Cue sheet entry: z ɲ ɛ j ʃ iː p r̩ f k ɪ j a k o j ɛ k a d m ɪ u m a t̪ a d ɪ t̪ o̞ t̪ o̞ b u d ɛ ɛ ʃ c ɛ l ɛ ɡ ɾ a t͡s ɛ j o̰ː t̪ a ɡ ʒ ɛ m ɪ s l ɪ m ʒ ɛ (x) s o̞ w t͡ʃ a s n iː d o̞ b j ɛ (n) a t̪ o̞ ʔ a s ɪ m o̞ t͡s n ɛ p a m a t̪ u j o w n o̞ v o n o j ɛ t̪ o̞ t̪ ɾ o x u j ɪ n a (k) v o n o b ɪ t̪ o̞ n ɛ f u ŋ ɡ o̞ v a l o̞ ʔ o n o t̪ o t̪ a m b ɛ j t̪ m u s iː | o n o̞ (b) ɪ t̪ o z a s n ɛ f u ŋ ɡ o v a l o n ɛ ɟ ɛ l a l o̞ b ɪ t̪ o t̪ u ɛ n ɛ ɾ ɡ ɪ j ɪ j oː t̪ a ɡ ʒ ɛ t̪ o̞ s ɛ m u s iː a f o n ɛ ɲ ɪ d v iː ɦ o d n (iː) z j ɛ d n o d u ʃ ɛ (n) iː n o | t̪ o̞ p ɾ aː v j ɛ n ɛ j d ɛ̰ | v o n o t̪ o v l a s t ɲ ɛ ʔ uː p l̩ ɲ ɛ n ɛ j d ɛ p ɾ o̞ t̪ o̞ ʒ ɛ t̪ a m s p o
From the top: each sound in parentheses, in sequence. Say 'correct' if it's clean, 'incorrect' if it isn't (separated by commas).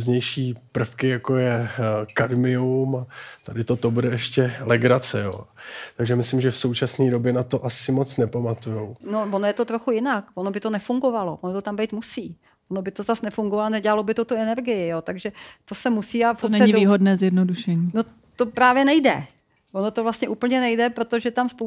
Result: incorrect, correct, correct, correct, incorrect, incorrect